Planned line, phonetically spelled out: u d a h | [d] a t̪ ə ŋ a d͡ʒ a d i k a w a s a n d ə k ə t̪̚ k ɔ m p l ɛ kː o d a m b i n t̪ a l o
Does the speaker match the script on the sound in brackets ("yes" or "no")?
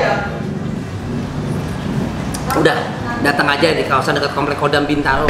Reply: yes